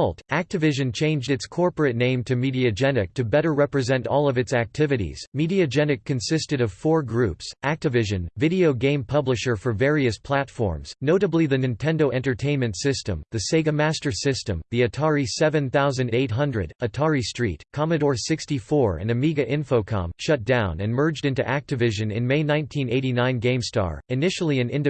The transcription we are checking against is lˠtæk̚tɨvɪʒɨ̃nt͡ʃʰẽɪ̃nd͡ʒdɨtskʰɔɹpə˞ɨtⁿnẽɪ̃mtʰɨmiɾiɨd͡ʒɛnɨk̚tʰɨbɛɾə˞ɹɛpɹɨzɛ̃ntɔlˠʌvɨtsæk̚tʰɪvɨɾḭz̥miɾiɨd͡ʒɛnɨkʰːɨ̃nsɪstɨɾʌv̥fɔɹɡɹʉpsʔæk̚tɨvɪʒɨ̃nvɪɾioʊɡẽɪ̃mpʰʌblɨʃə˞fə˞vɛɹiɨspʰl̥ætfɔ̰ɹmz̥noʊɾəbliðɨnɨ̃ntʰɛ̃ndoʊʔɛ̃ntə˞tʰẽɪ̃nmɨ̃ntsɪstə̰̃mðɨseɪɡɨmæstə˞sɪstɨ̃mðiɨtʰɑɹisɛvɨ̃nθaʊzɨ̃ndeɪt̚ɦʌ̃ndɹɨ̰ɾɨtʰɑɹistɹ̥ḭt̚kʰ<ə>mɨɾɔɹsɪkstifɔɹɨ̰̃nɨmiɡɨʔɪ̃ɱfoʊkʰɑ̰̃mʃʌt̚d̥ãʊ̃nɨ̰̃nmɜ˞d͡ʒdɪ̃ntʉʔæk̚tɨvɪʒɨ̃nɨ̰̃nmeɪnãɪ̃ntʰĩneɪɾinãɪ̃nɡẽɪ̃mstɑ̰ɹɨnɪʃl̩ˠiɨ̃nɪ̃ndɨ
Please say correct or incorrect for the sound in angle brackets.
incorrect